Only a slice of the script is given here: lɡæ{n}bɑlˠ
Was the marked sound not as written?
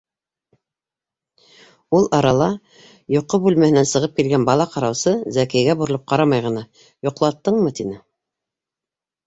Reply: no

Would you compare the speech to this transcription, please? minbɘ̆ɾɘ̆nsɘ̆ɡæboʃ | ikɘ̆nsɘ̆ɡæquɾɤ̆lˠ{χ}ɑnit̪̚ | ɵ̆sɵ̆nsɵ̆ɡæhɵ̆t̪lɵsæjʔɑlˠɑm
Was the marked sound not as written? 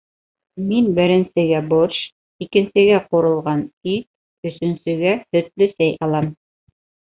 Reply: yes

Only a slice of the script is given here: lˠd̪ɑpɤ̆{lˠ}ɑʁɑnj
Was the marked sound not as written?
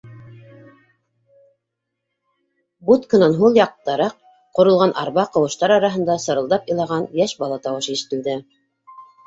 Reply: no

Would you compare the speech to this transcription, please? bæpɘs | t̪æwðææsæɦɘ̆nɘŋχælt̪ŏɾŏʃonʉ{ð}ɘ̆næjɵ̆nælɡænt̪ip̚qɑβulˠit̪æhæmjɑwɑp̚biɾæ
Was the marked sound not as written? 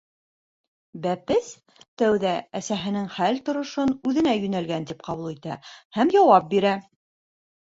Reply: no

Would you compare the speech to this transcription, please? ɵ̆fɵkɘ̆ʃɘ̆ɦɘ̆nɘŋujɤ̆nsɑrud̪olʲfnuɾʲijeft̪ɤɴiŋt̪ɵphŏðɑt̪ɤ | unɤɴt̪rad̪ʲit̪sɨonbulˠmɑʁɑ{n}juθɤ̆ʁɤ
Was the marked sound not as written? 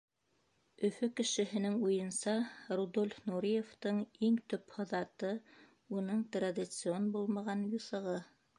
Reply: no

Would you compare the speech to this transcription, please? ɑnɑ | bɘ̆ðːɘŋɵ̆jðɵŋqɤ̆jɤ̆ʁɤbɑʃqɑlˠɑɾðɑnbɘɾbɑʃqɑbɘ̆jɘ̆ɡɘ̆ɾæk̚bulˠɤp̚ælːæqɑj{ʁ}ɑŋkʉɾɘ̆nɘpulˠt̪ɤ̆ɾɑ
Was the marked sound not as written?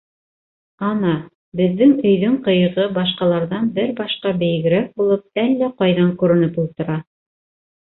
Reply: yes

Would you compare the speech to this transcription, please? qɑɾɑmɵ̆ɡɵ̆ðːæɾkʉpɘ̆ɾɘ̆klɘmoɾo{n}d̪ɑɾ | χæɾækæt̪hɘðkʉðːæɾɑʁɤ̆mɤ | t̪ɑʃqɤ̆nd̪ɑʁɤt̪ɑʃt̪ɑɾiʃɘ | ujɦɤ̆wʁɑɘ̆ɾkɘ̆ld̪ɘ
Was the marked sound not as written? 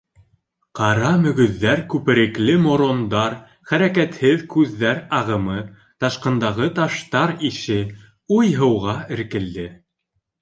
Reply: no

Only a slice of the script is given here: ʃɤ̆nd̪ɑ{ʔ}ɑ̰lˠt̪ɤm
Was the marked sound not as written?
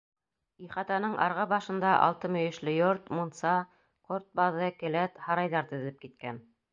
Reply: no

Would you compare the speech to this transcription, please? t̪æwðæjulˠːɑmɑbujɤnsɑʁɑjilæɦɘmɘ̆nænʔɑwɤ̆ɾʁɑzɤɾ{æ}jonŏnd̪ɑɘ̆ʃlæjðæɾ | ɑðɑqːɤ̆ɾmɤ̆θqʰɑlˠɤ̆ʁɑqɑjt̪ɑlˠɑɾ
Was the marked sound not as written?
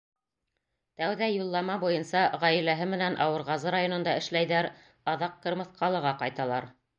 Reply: yes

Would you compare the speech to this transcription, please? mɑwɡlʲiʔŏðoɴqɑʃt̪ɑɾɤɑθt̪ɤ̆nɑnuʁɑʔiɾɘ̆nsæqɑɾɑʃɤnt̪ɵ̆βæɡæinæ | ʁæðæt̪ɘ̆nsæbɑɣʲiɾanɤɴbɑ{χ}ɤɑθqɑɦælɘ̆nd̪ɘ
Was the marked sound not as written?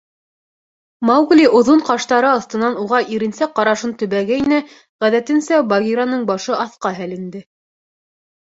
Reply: yes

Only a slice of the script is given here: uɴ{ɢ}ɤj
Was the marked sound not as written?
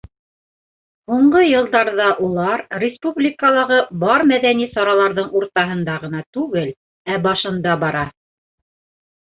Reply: no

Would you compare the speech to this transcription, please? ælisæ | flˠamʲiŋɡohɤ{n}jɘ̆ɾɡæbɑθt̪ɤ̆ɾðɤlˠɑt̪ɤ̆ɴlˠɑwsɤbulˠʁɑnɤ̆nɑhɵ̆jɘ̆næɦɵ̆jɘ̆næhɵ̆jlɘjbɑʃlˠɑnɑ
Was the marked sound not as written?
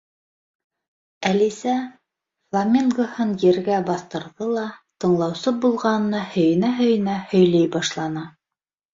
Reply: no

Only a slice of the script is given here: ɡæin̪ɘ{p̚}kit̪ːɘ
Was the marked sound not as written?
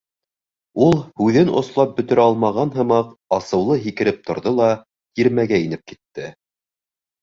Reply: no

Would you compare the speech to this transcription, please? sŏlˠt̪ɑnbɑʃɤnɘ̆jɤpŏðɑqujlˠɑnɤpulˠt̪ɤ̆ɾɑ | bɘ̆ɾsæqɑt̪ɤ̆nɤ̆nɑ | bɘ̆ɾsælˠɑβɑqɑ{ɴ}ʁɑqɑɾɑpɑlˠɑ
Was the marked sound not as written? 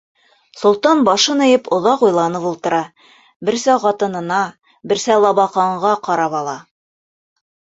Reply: no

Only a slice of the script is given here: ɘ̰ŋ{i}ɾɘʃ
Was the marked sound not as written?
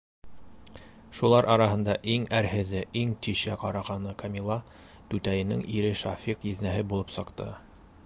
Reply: no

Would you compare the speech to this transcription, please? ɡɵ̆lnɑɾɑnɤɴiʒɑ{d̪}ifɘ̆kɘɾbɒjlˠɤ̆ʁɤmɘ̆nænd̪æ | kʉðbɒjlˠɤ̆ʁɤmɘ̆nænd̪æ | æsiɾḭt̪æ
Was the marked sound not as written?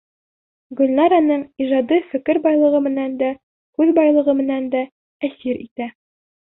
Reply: no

